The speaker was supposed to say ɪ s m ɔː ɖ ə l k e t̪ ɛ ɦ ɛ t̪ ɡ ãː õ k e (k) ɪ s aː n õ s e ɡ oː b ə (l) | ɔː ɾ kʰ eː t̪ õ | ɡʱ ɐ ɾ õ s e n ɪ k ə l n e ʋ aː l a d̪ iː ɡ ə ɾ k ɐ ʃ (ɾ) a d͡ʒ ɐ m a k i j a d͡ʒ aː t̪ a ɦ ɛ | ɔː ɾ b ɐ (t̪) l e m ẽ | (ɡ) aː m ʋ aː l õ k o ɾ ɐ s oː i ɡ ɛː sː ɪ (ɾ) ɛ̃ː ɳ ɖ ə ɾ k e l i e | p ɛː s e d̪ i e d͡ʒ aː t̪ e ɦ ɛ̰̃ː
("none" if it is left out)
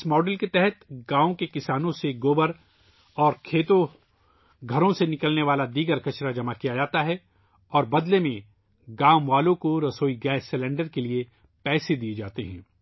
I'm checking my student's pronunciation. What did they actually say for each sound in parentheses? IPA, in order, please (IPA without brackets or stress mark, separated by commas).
k, ɾ, ɾ, d̪, ɡ, l